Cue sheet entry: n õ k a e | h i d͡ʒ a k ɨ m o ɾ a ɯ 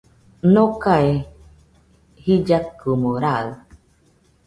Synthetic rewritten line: n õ k a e | h i d͡ʒ a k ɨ m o ɾ a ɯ